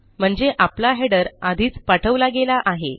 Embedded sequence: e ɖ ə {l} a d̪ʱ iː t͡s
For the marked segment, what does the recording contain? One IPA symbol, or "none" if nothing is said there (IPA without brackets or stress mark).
ɾ